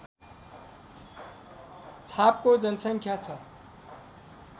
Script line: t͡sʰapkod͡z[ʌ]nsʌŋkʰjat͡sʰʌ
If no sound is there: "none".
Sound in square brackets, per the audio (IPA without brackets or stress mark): ʌ